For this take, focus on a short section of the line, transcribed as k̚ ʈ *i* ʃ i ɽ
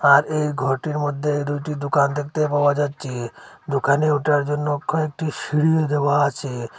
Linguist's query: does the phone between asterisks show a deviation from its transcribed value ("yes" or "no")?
no